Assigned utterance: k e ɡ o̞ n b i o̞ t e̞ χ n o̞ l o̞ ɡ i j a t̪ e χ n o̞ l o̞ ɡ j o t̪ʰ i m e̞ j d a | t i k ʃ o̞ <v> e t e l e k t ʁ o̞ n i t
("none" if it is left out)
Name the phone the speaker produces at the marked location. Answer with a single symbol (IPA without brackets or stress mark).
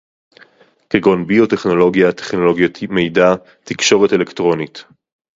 ʁ